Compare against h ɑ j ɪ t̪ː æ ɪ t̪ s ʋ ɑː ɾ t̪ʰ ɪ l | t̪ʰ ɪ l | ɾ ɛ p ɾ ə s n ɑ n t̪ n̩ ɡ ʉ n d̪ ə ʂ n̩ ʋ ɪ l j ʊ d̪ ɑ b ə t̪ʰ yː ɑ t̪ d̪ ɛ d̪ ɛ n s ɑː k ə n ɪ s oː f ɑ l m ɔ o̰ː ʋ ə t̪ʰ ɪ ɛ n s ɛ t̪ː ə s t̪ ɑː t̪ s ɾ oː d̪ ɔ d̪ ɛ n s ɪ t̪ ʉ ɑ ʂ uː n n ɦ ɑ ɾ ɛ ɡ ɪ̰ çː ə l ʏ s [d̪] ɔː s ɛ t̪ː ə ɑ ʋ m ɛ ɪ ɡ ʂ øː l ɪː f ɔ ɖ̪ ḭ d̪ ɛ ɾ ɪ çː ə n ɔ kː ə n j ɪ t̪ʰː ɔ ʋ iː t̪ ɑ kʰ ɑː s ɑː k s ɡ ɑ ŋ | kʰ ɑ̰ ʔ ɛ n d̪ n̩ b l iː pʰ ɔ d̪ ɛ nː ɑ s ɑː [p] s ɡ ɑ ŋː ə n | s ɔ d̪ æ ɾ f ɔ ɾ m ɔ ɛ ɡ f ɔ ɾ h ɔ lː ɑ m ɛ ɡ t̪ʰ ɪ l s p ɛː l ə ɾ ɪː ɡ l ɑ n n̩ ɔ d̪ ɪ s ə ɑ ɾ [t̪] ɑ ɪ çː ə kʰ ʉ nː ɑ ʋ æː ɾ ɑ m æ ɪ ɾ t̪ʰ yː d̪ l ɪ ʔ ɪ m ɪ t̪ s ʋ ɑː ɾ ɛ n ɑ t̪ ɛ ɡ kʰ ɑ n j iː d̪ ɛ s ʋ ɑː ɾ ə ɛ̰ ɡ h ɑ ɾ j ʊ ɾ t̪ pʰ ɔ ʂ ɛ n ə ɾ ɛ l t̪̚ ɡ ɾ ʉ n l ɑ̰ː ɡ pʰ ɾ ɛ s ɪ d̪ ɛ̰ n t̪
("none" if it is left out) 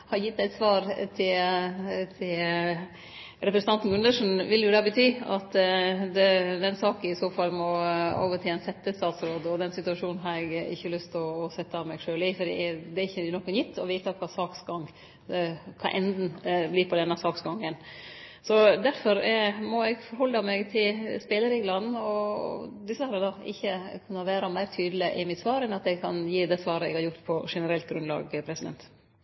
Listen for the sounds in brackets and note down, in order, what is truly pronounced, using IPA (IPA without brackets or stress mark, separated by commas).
t̪, k, d̪